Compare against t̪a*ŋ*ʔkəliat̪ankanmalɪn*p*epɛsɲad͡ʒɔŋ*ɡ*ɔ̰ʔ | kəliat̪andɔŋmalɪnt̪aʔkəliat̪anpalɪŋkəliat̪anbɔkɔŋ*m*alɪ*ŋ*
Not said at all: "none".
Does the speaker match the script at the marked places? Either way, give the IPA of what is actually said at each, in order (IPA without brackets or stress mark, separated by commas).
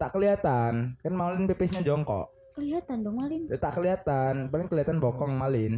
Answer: none, p, k, m, n